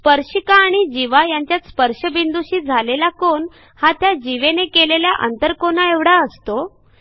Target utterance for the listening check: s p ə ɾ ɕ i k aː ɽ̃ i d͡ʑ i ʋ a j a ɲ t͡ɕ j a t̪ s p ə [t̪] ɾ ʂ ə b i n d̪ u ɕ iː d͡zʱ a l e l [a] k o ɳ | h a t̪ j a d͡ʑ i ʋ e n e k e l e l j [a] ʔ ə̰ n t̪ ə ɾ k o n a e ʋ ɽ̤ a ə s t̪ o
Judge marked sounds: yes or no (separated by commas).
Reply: no, yes, yes